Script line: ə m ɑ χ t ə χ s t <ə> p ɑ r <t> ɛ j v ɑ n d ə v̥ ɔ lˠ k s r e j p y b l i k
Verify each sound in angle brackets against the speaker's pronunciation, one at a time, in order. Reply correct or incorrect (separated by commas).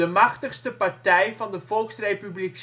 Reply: correct, correct